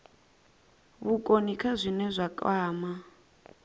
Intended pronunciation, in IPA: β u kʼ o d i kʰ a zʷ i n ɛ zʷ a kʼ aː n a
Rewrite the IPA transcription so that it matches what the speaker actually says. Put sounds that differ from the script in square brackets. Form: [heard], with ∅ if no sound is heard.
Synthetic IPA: β u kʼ o [n] i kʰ a zʷ i n ɛ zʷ a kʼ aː [m] a